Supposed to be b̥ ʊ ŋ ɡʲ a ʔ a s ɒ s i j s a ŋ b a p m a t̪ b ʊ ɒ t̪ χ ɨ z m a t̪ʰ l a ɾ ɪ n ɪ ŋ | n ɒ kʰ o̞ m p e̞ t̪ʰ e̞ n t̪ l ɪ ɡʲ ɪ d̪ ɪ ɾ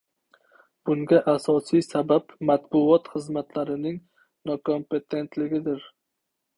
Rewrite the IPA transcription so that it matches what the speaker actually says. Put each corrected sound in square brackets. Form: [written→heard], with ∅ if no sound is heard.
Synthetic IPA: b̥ ʊ ŋ ɡʲ a ʔ a s ɒ s i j s a [ŋ→∅] b a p m a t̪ b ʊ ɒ t̪ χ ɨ z m a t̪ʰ l a ɾ ɪ n ɪ ŋ | n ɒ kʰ o̞ m p e̞ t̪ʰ e̞ n t̪ l ɪ ɡʲ ɪ d̪ ɪ ɾ